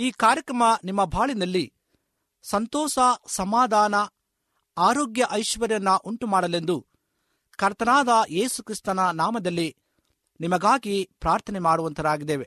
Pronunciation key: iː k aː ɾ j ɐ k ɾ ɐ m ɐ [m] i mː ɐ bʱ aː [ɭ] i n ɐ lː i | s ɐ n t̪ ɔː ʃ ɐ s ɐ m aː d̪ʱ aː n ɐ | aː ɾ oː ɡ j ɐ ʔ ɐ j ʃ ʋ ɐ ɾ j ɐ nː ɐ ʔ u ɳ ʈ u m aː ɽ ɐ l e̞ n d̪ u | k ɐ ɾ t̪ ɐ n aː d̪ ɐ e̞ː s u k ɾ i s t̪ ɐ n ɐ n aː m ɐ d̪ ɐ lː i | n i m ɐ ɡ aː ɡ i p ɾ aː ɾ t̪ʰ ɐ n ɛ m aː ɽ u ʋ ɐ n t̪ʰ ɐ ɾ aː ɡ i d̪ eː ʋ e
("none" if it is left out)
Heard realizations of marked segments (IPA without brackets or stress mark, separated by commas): n, ɭ